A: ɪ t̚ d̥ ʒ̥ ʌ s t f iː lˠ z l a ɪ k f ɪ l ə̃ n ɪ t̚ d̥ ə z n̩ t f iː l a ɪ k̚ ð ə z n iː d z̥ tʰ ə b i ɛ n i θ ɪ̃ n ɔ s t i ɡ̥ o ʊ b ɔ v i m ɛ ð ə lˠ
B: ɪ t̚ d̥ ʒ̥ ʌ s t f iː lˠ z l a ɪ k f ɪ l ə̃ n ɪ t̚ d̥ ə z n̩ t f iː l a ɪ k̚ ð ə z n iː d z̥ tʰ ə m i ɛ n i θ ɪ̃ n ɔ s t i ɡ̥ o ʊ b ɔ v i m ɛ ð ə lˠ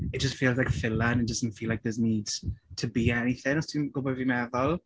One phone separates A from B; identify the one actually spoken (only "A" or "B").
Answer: A